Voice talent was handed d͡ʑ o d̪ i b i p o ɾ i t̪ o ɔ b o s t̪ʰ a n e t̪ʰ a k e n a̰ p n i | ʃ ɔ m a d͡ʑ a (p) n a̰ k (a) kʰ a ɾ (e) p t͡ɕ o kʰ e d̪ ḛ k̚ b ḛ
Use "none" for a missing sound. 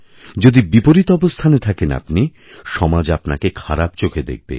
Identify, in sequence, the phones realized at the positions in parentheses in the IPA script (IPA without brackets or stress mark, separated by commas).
p, e, a